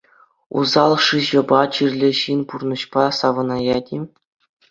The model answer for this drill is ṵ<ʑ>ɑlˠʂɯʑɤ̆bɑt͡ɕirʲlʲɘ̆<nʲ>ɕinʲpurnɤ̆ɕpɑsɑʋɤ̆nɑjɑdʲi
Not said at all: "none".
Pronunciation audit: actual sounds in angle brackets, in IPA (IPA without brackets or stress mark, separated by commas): z, none